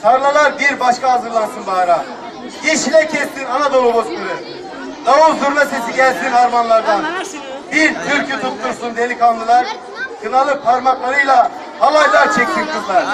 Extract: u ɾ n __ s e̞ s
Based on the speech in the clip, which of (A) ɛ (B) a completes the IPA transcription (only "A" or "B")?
B